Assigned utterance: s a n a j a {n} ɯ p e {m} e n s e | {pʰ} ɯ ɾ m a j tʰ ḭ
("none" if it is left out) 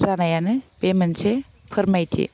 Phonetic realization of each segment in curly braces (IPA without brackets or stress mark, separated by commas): n, m, pʰ